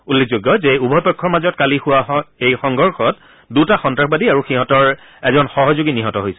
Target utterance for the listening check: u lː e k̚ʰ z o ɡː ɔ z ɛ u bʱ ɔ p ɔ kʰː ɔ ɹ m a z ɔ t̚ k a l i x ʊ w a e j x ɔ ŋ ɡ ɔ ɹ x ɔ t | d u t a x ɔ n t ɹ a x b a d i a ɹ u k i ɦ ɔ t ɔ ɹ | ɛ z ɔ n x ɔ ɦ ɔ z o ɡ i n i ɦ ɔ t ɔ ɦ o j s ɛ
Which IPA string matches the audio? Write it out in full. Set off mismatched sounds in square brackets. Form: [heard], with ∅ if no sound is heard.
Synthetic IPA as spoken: u lː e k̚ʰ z o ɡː ɔ z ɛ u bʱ ɔ p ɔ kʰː ɔ ɹ m a z ɔ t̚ k a l i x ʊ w a e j x ɔ ŋ ɡ ɔ ɹ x ɔ t | d u t a x ɔ n t ɹ a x b a d i a ɹ u [x] i ɦ ɔ t ɔ ɹ | ɛ z ɔ n x ɔ ɦ ɔ z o ɡ i n i ɦ ɔ t ɔ ɦ o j s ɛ